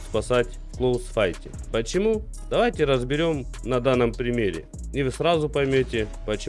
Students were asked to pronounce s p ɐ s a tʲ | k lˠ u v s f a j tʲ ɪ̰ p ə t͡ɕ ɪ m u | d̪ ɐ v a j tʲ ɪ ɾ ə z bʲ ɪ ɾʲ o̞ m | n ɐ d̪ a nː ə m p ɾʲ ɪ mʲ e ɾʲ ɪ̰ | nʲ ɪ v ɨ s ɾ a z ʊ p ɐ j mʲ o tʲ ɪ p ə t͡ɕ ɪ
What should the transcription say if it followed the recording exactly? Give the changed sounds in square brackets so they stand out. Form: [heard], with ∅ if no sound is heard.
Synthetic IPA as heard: s p ɐ s a tʲ | k lˠ [o] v s f a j tʲ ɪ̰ p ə t͡ɕ ɪ m u | d̪ ɐ v a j tʲ ɪ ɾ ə z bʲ ɪ ɾʲ o̞ m | n ɐ d̪ a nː ə m p ɾʲ ɪ mʲ e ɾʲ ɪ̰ | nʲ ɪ v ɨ s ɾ a z ʊ p ɐ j mʲ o tʲ ɪ p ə t͡ɕ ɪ